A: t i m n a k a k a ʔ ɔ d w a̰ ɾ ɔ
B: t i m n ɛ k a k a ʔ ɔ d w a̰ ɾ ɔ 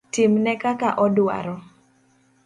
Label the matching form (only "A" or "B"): B